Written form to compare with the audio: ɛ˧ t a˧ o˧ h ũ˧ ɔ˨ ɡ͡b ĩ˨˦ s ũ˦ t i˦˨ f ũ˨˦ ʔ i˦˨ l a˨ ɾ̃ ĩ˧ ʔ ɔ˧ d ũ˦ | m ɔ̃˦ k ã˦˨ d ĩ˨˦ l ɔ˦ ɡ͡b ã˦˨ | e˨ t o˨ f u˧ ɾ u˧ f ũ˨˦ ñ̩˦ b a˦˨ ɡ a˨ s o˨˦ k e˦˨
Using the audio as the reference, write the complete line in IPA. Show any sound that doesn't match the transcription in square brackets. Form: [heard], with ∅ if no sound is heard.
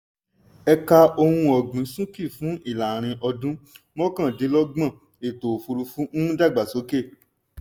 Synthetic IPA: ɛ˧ [k] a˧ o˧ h ũ˧ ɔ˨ ɡ͡b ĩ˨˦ s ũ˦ [k] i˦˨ f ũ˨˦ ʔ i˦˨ l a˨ ɾ̃ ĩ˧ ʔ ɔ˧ d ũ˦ | m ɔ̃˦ k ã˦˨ d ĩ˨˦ l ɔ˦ ɡ͡b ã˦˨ | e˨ t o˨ f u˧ ɾ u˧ f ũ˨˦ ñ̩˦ [d] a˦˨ [ɡ͡b] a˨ s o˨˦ k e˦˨